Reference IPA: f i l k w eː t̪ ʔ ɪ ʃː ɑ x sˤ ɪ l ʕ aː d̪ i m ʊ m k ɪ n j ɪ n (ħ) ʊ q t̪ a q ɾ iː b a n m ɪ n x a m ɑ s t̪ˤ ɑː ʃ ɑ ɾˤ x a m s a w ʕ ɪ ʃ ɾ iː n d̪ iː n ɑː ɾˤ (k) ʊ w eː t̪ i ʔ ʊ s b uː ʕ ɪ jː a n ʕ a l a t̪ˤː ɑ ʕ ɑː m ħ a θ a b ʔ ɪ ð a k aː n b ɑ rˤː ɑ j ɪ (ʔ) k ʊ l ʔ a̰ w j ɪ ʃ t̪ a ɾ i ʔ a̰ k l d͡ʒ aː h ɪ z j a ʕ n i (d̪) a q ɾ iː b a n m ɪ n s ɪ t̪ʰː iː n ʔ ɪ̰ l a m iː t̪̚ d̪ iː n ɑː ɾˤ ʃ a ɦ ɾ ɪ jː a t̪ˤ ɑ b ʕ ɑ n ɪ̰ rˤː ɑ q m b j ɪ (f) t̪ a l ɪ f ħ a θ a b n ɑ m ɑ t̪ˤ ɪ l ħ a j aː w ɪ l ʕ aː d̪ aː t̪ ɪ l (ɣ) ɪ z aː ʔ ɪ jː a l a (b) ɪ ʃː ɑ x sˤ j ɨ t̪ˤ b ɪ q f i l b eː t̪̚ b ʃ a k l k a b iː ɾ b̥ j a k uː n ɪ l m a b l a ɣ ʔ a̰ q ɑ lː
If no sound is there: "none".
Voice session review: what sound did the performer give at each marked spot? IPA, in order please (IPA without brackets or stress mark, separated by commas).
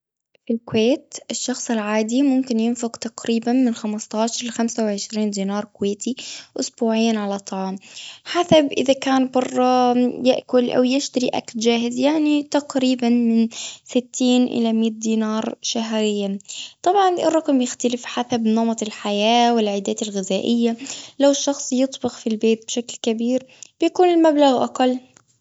f, k, ʔ, t̪, x, ɣ, w